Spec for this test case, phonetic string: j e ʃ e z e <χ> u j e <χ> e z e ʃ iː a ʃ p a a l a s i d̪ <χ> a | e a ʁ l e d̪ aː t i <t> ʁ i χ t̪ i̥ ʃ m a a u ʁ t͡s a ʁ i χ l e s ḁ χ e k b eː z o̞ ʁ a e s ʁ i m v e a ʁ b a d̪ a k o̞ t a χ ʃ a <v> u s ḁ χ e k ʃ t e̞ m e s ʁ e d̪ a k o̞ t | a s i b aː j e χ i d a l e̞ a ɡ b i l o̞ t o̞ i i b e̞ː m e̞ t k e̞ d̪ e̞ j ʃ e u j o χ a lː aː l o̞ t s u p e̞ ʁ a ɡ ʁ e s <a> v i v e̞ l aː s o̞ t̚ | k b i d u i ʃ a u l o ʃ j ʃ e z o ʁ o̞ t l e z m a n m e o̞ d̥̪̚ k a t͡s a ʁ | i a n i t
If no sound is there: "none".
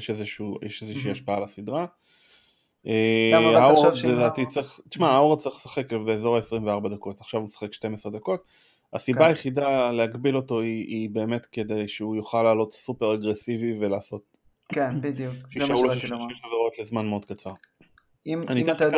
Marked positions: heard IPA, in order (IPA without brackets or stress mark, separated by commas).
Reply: ʃ, ʃ, ʁ, t͡s, v, i